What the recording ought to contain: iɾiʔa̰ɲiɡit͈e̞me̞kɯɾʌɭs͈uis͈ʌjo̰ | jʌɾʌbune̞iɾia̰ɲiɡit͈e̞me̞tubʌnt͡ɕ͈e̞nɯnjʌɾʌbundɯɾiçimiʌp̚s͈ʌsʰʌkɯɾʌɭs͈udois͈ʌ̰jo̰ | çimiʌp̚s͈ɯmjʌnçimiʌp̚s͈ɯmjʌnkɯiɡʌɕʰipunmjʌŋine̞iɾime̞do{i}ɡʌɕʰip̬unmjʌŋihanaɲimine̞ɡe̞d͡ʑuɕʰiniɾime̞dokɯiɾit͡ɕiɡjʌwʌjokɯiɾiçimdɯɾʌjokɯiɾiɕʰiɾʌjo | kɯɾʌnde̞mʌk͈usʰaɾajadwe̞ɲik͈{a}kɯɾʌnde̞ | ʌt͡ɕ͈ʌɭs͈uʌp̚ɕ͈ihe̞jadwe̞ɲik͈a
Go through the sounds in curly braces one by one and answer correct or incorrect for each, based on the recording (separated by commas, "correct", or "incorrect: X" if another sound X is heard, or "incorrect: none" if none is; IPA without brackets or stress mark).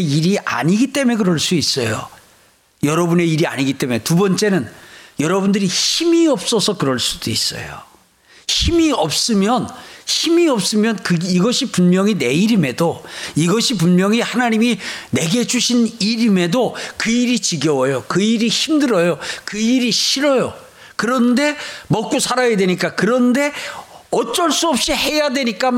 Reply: correct, correct